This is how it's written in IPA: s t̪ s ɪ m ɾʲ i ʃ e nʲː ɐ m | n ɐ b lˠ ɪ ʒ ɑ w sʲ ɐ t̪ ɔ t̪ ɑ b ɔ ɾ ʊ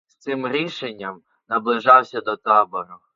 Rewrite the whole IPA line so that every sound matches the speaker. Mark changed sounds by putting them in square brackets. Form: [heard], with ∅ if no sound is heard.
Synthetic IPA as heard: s t̪ s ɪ m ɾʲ i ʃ e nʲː ɐ m | n ɐ b lˠ ɪ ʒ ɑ w sʲ ɐ [d̪] ɔ t̪ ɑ b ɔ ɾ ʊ